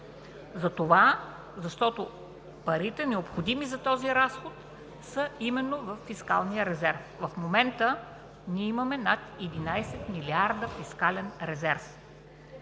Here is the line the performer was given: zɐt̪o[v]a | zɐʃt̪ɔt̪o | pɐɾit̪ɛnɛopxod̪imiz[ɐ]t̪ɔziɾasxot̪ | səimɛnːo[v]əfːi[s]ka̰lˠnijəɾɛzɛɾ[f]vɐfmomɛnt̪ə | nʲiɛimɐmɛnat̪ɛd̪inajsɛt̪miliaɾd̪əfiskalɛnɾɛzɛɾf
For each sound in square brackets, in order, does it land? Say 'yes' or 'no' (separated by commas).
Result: yes, yes, yes, yes, yes